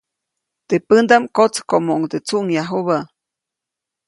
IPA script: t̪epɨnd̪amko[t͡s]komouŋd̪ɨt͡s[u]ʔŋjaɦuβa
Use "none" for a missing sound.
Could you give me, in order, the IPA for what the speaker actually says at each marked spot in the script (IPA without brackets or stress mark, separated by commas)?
t͡s, u